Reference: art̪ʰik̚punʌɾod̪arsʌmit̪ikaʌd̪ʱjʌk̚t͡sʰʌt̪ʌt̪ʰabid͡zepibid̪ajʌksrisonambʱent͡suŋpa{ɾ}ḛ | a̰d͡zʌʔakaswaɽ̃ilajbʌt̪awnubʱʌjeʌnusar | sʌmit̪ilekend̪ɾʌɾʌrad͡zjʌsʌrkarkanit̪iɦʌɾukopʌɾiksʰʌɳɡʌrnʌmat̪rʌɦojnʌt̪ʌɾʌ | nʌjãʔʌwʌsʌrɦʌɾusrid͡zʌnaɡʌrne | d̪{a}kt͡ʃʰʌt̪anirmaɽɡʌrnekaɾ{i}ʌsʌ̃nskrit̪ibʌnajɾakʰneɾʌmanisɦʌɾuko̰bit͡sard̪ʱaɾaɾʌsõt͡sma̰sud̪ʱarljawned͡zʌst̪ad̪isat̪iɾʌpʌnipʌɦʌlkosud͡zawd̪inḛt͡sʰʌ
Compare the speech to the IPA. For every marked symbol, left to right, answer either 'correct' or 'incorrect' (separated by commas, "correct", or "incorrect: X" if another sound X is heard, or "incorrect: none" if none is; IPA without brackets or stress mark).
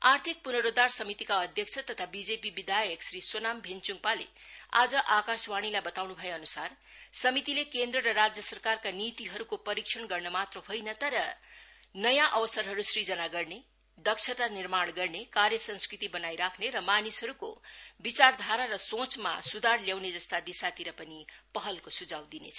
incorrect: l, incorrect: ʌ, incorrect: j